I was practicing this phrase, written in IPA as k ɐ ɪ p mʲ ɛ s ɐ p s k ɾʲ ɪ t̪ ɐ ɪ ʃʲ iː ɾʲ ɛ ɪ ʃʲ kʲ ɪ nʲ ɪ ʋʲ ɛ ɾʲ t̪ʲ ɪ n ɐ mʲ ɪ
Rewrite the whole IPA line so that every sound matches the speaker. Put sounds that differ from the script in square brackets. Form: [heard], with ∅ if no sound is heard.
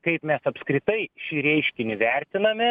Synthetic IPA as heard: k ɐ ɪ p mʲ ɛ s ɐ p s k ɾʲ ɪ t̪ ɐ ɪ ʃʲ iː ɾʲ ɛ ɪ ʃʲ kʲ ɪ nʲ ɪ ʋʲ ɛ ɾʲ t̪ʲ ɪ n ɐ mʲ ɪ